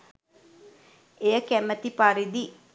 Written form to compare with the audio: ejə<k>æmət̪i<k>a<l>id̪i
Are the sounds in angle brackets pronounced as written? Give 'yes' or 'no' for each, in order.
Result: yes, no, no

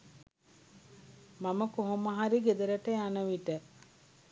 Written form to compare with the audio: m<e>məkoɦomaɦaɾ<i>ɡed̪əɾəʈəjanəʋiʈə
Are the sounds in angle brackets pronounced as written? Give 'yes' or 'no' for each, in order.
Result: no, yes

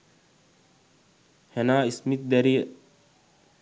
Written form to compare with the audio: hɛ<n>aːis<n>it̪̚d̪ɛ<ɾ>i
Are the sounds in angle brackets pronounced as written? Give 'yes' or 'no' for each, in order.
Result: yes, no, yes

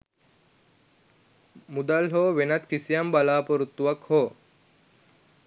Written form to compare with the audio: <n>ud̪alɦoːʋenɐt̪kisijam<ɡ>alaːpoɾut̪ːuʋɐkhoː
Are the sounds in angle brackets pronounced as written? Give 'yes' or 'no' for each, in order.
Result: no, no

